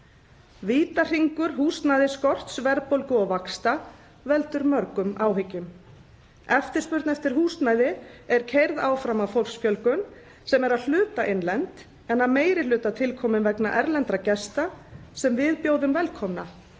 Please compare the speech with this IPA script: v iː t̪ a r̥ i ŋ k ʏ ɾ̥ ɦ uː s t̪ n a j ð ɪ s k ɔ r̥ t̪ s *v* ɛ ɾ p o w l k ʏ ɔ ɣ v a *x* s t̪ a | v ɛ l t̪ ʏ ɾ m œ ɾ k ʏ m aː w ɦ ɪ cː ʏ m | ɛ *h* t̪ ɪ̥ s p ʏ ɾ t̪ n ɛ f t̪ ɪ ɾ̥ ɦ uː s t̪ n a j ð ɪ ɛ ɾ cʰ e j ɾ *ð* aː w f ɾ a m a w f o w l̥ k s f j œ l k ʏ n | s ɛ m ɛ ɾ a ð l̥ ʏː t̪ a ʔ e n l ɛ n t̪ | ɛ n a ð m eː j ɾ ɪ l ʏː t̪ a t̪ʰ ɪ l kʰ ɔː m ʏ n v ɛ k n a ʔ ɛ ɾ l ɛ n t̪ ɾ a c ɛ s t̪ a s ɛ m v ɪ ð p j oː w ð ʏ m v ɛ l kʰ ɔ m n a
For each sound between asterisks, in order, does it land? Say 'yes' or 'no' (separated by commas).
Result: yes, no, no, yes